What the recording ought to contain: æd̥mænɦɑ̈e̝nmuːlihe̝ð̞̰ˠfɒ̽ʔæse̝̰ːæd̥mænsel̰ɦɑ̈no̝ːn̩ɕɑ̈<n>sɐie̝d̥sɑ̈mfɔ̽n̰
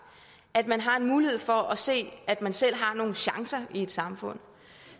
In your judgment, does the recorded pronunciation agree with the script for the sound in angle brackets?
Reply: no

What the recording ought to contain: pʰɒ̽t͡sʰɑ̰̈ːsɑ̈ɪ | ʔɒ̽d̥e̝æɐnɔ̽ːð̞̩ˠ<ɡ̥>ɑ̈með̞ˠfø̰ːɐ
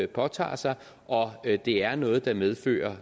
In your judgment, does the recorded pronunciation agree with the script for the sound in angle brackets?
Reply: no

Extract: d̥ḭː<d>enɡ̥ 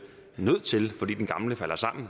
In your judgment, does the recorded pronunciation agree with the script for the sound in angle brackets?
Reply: yes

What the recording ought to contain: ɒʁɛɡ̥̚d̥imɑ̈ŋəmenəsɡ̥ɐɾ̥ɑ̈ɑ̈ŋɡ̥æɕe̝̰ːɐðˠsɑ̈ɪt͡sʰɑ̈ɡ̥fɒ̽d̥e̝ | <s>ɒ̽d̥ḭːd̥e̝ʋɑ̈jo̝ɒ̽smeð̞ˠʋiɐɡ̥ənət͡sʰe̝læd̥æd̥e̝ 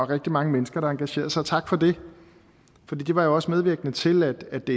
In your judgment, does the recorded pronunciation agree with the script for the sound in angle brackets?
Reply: no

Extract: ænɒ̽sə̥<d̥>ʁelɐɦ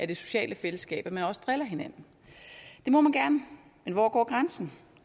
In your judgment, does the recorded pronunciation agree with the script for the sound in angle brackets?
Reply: yes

